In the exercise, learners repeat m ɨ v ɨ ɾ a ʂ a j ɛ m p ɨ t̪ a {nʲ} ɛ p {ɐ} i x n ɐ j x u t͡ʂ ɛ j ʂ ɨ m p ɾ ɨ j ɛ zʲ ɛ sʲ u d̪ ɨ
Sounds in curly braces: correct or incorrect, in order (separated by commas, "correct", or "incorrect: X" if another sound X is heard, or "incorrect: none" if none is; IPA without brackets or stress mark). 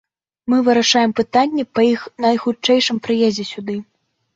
incorrect: nʲː, correct